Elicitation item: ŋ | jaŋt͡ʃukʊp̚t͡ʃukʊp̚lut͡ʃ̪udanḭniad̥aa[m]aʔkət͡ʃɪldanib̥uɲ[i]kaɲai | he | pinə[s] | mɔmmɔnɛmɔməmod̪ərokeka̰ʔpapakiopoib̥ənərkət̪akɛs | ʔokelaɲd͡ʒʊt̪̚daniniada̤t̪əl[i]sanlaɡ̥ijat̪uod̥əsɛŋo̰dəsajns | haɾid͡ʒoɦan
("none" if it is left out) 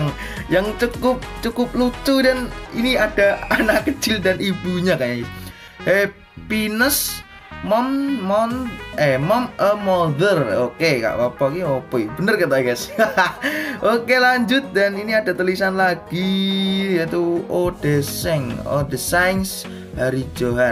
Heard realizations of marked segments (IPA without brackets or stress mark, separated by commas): n, a, s, i